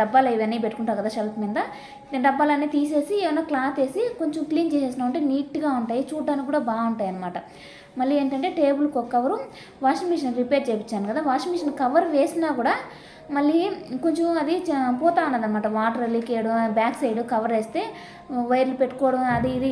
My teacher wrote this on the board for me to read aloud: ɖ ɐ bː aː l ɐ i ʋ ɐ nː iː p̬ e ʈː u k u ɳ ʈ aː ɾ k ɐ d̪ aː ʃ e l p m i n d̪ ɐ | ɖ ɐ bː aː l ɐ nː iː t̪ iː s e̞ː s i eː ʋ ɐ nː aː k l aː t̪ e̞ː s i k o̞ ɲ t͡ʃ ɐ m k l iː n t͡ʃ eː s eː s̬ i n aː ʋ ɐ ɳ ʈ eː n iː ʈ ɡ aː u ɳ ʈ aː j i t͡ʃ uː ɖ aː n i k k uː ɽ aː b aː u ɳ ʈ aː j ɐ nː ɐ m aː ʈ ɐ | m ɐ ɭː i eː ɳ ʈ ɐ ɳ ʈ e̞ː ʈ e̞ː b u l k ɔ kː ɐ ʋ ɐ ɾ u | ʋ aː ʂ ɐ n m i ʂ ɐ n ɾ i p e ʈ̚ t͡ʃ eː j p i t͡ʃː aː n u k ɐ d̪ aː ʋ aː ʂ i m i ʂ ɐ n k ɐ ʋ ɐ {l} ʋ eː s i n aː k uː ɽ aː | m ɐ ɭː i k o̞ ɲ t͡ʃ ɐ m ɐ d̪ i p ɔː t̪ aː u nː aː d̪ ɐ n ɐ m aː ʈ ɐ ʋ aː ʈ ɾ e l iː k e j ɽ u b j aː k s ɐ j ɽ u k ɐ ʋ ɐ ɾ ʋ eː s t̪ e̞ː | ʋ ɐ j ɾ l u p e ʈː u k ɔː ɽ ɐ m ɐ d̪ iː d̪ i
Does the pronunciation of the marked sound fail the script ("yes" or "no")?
yes